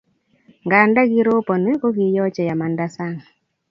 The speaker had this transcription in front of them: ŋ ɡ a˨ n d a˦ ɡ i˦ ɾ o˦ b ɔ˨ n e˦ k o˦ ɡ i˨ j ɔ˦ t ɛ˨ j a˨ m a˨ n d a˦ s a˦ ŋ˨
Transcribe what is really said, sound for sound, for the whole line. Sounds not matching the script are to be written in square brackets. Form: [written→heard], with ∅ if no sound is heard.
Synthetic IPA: ŋ ɡ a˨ n d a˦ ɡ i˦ ɾ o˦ [b→p] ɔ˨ n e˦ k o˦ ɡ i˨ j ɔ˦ [t→t͡ʃ] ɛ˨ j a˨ m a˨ n d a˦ s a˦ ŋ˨

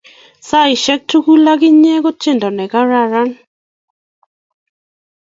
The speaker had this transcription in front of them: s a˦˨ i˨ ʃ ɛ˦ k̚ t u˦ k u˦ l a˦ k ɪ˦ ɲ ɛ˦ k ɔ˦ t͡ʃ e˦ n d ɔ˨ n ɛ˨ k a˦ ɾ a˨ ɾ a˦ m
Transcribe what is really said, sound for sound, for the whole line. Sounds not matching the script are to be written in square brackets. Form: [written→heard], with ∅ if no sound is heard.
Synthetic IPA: s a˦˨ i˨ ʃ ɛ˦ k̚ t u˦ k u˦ l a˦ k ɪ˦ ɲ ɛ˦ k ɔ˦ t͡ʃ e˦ n d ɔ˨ n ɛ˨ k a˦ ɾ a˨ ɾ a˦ [m→n]

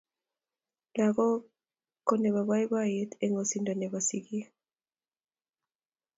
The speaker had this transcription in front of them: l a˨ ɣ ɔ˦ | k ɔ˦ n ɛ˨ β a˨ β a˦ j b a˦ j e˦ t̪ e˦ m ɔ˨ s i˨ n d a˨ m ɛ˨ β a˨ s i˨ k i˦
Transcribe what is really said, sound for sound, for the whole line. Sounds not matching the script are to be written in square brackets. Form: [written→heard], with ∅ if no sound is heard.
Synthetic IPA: l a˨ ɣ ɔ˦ | k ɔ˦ n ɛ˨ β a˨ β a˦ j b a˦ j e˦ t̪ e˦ [m→ŋ] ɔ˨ s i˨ n d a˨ [m→n] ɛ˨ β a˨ s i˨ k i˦

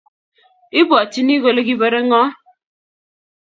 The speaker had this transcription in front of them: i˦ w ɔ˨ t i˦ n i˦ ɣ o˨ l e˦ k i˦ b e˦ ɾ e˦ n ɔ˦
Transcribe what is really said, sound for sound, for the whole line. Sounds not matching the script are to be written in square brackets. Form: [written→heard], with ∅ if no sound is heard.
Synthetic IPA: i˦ [w→b] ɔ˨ t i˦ n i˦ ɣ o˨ l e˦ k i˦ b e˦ ɾ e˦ [n→ŋ] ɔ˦

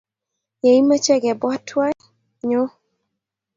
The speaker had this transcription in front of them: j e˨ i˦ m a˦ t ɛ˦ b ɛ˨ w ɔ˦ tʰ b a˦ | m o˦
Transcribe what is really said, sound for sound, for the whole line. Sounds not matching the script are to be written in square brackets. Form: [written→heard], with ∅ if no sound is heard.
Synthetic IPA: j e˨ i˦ m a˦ [t→t͡ʃ] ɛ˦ [b→ɡ] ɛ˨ [w→b] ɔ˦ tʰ [b→w] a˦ | [m→ɲ] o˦

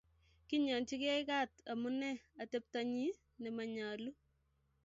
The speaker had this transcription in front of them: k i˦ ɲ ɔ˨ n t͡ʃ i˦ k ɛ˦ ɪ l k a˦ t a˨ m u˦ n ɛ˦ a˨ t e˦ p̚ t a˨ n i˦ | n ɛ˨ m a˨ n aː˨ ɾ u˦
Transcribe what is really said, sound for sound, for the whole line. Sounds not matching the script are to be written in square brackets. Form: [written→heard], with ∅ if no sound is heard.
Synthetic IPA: k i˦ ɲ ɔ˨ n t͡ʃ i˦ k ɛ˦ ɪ [l→∅] k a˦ t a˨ m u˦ n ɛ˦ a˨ t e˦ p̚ t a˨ [n→ɲ] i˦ | n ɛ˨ m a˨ [n→ɲ] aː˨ [ɾ→l] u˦

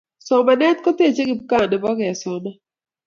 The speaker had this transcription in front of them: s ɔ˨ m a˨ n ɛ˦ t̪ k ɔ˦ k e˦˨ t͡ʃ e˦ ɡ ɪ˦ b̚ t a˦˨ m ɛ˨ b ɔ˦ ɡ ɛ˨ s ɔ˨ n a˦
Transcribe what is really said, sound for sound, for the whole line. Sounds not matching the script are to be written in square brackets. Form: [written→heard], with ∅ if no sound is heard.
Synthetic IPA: s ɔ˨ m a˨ n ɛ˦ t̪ k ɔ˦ [k→t] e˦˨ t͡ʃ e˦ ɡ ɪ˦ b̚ [t→k] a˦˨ [m→n] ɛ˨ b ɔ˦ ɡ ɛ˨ s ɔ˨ n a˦

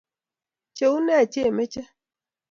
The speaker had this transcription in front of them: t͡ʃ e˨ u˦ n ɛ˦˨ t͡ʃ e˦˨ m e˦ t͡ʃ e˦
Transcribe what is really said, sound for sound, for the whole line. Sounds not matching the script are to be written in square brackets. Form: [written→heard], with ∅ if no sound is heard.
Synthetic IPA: t͡ʃ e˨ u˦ n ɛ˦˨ t͡ʃ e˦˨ m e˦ t͡ʃ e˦

